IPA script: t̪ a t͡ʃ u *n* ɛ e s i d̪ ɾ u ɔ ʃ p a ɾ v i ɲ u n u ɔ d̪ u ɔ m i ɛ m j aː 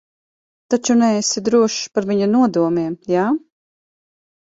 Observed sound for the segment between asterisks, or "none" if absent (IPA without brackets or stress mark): n